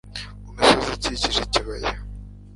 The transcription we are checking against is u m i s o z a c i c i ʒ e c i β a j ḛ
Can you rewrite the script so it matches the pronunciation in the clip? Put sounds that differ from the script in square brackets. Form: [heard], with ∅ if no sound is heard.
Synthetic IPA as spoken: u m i s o z [i] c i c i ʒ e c i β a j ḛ